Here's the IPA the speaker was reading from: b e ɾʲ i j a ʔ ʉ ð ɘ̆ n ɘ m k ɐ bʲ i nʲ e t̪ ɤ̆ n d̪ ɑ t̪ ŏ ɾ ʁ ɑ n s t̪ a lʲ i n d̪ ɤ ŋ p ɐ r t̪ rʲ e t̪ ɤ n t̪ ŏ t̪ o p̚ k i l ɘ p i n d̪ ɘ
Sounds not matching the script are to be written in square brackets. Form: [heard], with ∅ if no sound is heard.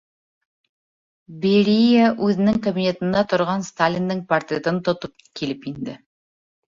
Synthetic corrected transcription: b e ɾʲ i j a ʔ ʉ ð ɘ̆ n ɘ [ŋ] k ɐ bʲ i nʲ e t̪ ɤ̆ n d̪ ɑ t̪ ŏ ɾ ʁ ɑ n s t̪ a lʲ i n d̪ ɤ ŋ p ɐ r t̪ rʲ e t̪ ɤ n t̪ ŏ t̪ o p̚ k i l ɘ p i n d̪ ɘ